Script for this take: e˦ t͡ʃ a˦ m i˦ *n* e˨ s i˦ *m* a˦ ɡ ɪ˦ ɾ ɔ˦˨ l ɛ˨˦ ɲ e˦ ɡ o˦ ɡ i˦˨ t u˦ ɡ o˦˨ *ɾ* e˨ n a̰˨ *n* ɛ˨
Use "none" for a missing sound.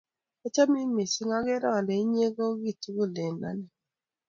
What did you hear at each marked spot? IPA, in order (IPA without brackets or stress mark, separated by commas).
m, ŋ, l, n